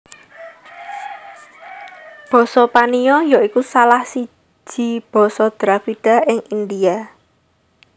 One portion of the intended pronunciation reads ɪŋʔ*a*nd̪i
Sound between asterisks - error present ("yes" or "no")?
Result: yes